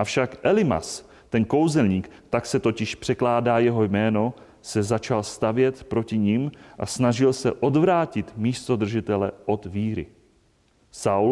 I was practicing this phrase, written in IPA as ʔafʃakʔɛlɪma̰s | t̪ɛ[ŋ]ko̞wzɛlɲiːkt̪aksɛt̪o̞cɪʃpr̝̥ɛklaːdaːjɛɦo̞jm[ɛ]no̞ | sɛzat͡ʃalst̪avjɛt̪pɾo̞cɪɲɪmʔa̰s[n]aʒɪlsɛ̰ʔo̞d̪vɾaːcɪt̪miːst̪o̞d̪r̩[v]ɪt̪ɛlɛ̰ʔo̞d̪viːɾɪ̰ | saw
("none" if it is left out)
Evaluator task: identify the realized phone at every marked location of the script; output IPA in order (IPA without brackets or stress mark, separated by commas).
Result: n, ɛː, n, ʒ